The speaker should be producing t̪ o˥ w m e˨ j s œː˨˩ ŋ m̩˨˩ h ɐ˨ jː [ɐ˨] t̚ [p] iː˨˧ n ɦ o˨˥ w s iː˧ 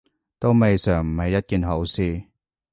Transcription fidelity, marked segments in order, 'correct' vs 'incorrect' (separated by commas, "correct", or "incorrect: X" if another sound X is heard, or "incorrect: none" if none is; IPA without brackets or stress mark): incorrect: ɐ˥, incorrect: k